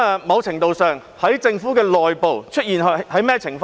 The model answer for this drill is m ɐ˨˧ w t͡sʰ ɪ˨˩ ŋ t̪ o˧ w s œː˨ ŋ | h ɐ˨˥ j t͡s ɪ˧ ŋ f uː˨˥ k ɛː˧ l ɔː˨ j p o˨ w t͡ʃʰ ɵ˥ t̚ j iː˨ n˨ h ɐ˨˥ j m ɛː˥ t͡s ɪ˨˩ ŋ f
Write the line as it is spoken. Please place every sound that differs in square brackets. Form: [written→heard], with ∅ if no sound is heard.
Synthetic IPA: m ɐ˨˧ w t͡sʰ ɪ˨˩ ŋ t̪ o˧ w s œː˨ ŋ | h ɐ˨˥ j t͡s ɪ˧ ŋ f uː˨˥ k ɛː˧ l ɔː˨ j p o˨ w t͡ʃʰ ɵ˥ t̚ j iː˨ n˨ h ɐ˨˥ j m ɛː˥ [t͡s→t͡sʰ] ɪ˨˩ ŋ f

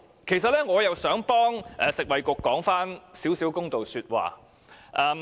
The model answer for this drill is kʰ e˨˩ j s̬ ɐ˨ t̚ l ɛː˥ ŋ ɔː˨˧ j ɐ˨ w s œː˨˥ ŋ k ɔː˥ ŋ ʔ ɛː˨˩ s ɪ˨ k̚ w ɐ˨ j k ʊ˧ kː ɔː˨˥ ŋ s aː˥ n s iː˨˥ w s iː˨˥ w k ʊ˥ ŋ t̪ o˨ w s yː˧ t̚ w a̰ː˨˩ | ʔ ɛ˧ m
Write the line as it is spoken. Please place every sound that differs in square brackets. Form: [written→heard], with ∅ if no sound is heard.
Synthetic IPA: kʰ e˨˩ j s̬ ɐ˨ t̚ l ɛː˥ ŋ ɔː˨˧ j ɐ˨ w s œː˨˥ ŋ [k→p] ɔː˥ ŋ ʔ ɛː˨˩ s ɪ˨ k̚ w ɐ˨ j k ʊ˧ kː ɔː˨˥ ŋ [s→f] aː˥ n s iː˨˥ w s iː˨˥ w k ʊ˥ ŋ t̪ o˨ w s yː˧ t̚ w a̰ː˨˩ | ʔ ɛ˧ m

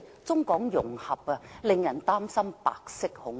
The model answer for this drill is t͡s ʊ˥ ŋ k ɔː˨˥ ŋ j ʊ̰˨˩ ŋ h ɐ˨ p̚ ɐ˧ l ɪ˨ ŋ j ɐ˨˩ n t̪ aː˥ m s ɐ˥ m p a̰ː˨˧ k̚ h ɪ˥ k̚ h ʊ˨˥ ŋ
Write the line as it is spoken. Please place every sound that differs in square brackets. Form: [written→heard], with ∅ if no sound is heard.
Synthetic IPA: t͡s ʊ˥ ŋ k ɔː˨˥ ŋ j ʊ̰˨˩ ŋ h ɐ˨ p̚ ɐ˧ l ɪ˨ ŋ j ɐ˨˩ n t̪ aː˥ m s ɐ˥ m p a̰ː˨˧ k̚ [h→s] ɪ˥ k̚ h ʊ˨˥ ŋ

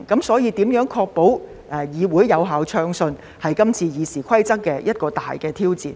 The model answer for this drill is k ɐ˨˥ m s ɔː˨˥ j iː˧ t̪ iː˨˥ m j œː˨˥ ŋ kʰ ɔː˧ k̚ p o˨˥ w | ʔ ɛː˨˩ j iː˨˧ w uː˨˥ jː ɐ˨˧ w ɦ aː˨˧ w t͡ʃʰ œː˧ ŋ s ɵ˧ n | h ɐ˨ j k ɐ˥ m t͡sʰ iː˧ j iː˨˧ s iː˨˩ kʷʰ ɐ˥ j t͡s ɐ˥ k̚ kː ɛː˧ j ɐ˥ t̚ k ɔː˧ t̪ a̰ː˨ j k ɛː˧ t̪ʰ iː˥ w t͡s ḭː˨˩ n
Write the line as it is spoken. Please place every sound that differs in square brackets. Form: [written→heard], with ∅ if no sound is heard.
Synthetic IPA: k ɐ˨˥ m s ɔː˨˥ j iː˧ t̪ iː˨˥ m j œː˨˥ ŋ kʰ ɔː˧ k̚ p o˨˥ w | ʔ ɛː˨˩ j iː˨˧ w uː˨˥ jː ɐ˨˧ w ɦ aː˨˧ w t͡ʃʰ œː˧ ŋ s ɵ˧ n | h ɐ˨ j k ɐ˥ m t͡sʰ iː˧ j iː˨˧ s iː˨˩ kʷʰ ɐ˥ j t͡s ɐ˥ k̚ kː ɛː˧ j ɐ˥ t̚ k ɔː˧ t̪ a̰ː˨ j k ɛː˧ t̪ʰ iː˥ w t͡s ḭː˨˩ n

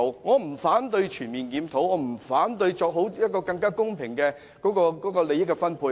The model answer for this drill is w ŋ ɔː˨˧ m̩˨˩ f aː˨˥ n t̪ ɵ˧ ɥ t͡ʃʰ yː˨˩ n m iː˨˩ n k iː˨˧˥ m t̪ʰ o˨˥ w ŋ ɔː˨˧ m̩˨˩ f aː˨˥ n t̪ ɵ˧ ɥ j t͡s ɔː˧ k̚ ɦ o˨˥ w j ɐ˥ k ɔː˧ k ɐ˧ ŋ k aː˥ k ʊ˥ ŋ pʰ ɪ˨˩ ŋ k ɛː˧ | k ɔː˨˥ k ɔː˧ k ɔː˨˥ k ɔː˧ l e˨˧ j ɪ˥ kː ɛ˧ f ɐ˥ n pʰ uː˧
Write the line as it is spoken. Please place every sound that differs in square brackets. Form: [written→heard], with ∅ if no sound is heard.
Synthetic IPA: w ŋ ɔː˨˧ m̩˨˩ f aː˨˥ n t̪ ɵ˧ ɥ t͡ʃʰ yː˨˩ n m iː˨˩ n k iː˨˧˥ m t̪ʰ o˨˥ w ŋ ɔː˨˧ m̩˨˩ f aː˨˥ n t̪ ɵ˧ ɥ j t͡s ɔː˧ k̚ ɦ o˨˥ w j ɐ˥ k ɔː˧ k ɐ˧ ŋ k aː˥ k ʊ˥ ŋ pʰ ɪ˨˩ ŋ k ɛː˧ | k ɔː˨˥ k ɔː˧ k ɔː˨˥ k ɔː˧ l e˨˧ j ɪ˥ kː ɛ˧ f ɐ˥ n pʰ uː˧

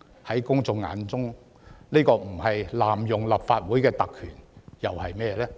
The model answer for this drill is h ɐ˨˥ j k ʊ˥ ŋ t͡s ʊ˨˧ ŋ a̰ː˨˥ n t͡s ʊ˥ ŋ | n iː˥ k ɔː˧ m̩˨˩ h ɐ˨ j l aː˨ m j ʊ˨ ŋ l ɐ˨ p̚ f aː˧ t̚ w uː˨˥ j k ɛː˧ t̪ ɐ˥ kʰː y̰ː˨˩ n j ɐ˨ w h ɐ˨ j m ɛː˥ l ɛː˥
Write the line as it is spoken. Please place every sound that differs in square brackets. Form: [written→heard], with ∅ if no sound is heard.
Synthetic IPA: h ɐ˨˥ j k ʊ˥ ŋ t͡s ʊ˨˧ ŋ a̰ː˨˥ n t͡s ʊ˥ ŋ | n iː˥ k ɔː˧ m̩˨˩ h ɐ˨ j l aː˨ m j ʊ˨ ŋ l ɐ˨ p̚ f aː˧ t̚ w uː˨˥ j k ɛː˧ t̪ [ɐ˥→ɐ˨] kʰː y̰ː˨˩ n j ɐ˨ w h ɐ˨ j m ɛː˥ l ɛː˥

